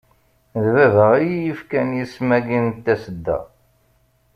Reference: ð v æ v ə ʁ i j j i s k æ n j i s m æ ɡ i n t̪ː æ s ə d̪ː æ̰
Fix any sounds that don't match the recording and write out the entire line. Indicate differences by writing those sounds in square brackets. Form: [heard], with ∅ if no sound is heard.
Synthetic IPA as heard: ð v æ v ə ʁ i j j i [f] k æ n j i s m æ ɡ i n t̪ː æ s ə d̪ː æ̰

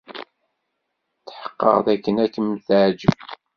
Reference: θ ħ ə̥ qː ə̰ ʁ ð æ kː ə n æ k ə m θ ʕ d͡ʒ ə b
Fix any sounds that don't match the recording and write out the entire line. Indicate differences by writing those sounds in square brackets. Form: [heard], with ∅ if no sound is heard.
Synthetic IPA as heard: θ ħ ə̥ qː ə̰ ʁ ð æ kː ə n æ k ə m θ ʕ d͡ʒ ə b

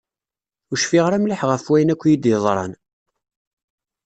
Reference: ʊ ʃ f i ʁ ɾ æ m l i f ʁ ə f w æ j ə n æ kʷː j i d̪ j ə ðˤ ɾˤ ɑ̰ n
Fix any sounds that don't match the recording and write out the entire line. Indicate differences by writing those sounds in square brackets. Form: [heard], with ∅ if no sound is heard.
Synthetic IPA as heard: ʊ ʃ f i ʁ ɾ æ m l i [ħ] ʁ ə f w æ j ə n æ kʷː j i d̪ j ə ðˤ ɾˤ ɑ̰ n

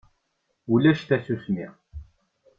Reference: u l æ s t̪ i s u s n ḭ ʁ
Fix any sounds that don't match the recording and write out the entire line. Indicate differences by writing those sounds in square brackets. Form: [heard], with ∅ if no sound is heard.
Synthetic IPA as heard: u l æ [ʃ] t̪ [æ] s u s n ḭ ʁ

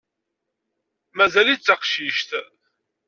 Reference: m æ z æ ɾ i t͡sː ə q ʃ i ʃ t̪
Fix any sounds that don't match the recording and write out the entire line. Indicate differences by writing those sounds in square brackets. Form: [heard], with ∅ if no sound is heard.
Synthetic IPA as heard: m æ z æ [l] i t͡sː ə q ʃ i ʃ t̪

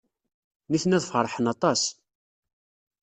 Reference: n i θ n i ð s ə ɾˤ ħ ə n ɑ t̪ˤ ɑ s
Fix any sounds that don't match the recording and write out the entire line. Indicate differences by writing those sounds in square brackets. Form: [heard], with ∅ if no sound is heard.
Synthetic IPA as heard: n i θ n [æ] ð [f] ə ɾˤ ħ ə n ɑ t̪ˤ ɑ s

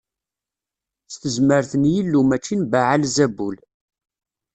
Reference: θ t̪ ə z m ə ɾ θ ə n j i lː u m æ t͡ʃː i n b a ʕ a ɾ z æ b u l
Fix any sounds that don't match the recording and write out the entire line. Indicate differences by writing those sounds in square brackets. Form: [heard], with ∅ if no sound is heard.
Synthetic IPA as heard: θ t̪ ə z m ə ɾ θ ə n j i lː u m æ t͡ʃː i n b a ʕ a [l] z æ b u l

